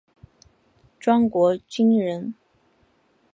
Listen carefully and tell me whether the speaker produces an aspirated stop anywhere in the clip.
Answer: no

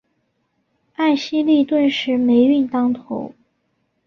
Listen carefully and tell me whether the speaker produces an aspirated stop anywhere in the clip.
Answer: yes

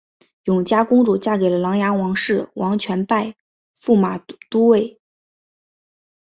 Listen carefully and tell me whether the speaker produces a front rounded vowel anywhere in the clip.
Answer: no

